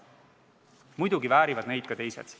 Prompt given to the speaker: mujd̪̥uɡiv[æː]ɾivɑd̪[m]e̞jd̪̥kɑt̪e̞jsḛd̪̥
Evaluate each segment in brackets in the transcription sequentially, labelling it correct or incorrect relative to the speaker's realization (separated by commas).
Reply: correct, incorrect